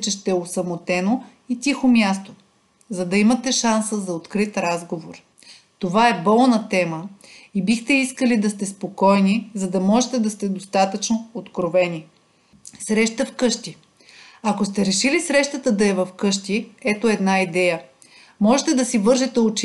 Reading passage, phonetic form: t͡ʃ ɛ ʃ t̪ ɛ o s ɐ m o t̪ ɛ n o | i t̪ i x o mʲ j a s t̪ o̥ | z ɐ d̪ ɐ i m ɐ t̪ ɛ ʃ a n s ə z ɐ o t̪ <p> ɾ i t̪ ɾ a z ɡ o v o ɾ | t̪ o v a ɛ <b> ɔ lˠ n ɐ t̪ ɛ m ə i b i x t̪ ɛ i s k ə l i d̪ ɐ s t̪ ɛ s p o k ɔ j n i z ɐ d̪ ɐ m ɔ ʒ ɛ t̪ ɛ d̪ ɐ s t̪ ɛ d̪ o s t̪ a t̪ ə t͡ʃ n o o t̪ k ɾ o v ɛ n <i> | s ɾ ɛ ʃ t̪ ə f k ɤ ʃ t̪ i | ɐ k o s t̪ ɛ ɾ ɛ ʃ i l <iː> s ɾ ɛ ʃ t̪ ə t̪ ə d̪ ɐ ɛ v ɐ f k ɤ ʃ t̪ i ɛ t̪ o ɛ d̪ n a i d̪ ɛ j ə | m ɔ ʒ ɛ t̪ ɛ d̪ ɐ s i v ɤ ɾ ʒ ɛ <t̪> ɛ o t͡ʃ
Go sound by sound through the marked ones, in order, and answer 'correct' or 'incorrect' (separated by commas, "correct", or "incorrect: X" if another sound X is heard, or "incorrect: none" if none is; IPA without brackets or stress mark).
incorrect: k, correct, correct, incorrect: i, correct